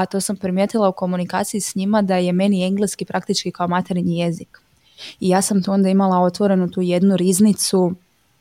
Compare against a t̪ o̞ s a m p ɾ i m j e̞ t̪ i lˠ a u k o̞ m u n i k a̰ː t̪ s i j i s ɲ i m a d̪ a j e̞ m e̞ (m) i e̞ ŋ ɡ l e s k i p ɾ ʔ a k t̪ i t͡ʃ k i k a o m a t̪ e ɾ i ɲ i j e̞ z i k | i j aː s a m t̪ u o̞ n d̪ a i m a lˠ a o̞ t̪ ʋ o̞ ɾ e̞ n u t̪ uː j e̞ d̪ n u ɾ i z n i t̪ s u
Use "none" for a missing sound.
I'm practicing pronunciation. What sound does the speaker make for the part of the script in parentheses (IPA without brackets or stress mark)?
n